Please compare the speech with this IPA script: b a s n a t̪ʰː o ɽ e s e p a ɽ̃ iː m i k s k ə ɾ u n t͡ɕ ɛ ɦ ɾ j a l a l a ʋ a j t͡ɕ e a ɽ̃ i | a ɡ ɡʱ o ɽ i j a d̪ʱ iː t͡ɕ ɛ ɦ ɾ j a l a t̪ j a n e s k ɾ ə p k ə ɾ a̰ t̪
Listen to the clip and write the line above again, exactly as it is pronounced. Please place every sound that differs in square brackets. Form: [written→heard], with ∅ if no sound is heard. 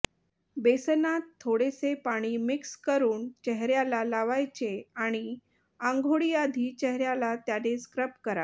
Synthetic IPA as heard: b [a→e] s n a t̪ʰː o ɽ e s e p a ɽ̃ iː m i k s k ə ɾ [u→uː] n t͡ɕ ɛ ɦ ɾ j a l a l a ʋ a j t͡ɕ e a ɽ̃ i | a [ɡ→ŋ] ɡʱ o ɽ i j a d̪ʱ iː t͡ɕ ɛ ɦ ɾ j a l a t̪ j a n e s k ɾ ə p k ə ɾ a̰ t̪